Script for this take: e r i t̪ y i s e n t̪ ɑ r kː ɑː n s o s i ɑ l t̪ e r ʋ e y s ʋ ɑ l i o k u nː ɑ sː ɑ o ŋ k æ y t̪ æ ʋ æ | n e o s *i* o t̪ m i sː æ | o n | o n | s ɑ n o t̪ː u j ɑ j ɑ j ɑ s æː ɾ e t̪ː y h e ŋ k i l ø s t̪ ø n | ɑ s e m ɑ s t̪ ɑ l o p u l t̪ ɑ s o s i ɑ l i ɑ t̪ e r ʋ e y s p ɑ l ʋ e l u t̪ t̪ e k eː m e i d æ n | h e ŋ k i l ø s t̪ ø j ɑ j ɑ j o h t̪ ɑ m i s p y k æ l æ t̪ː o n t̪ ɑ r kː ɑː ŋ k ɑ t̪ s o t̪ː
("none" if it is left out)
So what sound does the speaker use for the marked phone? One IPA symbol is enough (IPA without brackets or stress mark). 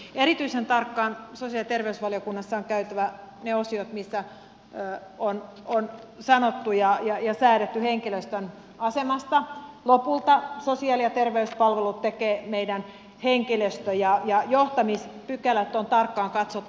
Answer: i